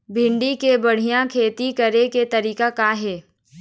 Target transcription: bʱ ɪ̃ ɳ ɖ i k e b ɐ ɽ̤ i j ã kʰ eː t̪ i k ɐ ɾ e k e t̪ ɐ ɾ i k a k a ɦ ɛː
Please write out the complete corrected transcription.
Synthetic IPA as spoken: bʱ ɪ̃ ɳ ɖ i k e b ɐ ɽ̤ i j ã kʰ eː t̪ i k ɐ ɾ e k e t̪ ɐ ɾ iː k a k a ɦ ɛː